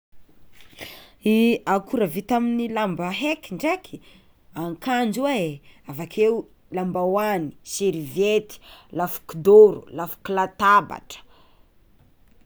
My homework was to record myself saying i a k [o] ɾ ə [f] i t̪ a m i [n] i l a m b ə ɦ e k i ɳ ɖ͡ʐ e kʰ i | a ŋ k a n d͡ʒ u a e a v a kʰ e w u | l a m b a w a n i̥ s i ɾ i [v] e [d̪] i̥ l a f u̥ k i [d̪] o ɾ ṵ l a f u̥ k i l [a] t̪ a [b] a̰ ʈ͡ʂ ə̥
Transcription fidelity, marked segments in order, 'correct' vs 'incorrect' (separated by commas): incorrect, incorrect, correct, correct, incorrect, correct, correct, correct